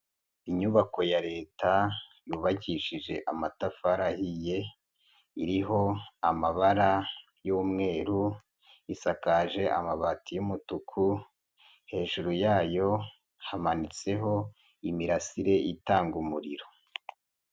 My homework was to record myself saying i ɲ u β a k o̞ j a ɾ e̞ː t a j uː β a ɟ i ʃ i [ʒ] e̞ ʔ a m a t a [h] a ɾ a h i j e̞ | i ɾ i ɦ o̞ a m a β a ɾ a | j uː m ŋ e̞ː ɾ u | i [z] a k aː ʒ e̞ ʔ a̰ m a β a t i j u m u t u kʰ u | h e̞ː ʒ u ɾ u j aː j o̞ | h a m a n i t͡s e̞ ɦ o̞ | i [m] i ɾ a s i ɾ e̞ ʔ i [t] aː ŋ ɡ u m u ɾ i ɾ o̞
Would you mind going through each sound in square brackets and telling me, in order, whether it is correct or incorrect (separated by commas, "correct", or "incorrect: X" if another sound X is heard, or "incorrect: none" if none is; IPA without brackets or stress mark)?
correct, incorrect: f, incorrect: s, correct, correct